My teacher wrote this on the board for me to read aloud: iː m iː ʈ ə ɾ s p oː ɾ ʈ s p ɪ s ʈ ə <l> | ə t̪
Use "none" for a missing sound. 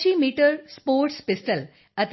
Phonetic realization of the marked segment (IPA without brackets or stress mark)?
l